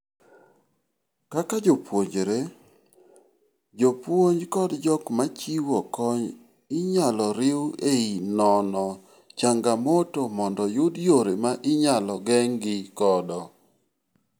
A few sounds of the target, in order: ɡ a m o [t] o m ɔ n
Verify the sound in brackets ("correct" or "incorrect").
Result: correct